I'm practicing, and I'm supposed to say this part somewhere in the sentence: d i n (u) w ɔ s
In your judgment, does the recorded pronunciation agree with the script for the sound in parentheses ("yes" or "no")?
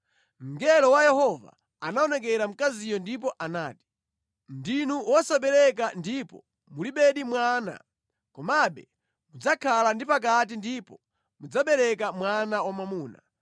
yes